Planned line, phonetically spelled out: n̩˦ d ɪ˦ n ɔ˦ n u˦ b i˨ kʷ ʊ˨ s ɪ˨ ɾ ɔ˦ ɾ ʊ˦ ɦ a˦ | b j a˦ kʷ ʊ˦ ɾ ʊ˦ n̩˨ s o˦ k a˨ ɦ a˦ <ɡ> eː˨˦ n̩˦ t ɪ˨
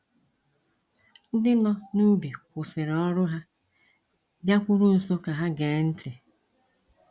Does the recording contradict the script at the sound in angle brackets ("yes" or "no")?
no